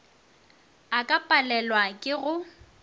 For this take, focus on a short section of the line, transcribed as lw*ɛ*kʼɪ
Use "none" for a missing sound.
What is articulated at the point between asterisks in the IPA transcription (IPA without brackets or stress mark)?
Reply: a